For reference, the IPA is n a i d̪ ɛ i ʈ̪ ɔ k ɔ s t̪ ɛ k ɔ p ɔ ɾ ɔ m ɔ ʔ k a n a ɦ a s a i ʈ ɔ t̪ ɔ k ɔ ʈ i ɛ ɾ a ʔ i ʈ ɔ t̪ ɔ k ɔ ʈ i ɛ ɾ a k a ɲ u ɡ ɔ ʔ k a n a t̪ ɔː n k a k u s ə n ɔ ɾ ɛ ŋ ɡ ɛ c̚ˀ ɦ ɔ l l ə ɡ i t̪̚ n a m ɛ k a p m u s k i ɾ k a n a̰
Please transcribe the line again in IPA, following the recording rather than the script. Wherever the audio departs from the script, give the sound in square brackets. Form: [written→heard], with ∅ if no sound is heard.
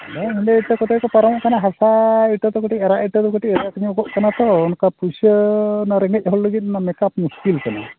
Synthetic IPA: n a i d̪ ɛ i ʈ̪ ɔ k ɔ [s→∅] t̪ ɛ k ɔ p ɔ ɾ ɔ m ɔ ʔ k a n a ɦ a s a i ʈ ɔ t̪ ɔ k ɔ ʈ i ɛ ɾ a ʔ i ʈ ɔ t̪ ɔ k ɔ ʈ i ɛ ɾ a k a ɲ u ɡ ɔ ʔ k a n a t̪ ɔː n k a [k→p] u s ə n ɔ ɾ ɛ ŋ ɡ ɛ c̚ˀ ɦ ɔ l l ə ɡ i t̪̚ n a m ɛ k a p m u s k i [ɾ→l] k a n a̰